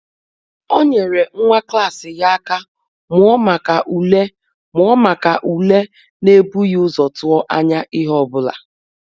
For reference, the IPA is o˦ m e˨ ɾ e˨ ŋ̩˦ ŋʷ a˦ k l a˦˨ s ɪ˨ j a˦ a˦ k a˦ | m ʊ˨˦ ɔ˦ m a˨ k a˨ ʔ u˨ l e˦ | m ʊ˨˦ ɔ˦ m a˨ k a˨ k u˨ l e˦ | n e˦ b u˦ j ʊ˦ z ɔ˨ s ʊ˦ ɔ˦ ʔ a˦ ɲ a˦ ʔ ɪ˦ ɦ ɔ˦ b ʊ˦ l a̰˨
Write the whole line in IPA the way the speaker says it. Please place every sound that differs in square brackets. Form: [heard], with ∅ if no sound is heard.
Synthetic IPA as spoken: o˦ [ɲ] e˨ ɾ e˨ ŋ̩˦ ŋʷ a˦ k l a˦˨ s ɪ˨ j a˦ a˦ k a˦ | m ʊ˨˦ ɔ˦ m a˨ k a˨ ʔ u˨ l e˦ | m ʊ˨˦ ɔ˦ m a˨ k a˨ [ʔ] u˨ l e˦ | n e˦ b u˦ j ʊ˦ z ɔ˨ [t] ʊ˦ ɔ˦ ʔ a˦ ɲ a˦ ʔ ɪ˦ ɦ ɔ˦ b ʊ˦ l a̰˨